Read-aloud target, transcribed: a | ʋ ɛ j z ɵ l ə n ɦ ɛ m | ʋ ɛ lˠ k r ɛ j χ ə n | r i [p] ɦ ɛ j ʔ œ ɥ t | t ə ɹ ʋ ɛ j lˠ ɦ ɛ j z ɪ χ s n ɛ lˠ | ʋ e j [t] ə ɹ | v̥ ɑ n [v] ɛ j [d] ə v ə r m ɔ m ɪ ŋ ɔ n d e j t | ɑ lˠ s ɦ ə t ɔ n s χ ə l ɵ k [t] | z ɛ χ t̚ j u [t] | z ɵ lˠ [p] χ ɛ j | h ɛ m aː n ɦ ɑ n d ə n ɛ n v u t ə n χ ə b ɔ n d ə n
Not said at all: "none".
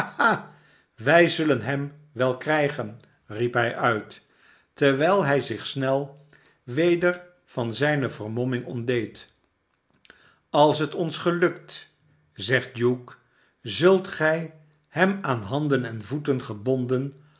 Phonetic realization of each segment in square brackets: p, d, z, n, t, k, t

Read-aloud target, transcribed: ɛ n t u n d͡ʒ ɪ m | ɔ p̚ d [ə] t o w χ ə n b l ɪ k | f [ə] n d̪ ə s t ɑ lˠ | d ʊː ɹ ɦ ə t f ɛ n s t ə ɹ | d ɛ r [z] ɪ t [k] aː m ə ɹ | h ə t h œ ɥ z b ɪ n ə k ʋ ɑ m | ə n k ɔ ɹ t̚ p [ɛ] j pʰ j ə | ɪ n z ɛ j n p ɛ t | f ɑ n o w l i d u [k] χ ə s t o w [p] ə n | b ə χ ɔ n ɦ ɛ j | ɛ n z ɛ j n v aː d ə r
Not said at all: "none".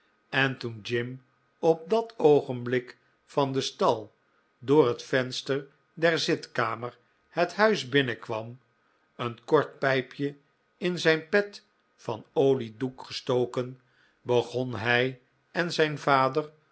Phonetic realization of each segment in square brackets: ɑ, ɑ, z, k, ɛ, k, k

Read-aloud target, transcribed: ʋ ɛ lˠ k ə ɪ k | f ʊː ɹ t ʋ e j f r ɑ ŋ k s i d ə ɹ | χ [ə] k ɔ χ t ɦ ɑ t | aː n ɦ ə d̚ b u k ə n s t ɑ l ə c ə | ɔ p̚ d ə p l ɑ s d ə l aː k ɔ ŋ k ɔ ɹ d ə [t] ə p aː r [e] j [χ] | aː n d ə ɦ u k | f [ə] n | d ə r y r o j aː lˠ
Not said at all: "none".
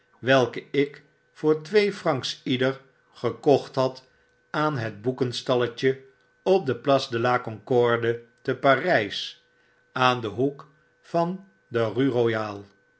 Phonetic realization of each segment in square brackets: ə, t, ɛ, s, ɑ

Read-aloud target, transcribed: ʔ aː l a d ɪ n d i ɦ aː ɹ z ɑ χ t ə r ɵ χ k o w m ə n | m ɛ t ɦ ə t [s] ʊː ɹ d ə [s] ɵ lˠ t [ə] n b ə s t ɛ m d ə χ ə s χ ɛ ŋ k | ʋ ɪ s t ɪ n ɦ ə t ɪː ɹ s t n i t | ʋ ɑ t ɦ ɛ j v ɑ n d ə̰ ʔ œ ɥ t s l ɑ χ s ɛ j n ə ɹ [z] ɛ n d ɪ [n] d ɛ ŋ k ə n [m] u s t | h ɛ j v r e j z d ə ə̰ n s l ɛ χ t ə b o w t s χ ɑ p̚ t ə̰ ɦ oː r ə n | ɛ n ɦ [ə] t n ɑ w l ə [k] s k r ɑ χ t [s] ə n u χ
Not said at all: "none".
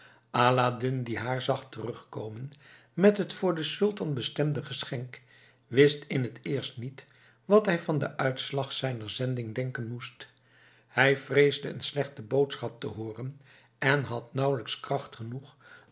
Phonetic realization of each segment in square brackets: f, s, ɑ, z, ŋ, m, ɑ, k, χ

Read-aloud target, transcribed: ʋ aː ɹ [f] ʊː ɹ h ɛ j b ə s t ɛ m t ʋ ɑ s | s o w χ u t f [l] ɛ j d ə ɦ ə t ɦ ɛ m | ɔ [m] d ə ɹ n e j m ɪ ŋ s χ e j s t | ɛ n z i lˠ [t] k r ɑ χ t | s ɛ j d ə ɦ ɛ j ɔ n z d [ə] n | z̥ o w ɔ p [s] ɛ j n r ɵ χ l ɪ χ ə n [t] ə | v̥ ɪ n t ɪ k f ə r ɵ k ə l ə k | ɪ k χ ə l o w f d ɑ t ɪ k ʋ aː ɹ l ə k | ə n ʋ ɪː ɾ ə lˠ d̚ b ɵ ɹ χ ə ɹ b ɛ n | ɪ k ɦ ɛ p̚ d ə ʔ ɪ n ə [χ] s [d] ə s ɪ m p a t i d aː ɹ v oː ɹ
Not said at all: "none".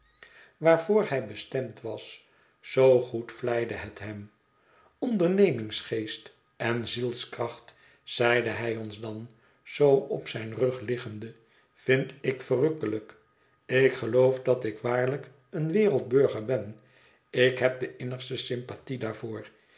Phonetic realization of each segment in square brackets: v, l, n, s, ɑ, s, d, χ, t

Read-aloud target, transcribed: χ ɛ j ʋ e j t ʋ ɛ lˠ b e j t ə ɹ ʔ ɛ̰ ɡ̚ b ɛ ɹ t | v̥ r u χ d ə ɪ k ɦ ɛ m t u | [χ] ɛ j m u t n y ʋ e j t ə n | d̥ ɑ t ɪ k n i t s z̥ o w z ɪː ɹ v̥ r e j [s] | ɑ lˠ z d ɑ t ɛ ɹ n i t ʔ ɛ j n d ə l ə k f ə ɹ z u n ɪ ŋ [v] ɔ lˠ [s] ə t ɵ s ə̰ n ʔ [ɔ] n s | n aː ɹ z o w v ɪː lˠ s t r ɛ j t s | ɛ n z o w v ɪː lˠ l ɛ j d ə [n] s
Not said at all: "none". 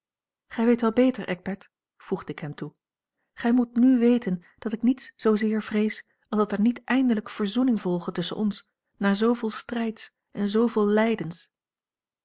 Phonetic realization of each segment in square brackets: χ, s, v, χ, ɔ, n

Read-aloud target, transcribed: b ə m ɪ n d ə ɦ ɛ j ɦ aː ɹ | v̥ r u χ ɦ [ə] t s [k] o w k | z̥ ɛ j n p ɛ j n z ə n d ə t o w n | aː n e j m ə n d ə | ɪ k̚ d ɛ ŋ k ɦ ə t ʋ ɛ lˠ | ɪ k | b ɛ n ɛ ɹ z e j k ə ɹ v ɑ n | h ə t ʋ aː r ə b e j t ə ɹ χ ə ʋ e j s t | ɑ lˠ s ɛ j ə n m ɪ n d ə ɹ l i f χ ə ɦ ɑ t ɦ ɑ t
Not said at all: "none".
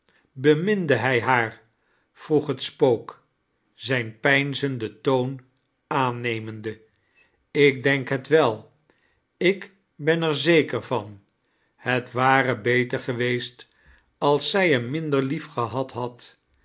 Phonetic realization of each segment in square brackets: ə, p

